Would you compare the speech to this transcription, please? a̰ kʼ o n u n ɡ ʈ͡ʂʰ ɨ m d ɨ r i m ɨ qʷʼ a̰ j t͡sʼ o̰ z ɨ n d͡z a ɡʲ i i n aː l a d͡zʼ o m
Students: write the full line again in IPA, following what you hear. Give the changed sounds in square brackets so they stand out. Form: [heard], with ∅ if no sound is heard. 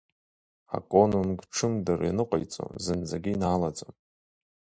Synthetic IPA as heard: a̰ kʼ o n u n ɡ ʈ͡ʂʰ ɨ m d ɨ r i [n] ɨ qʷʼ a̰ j t͡sʼ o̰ z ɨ n d͡z a ɡʲ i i n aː l a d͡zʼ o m